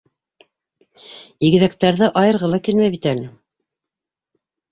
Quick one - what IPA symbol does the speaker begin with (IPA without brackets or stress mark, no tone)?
i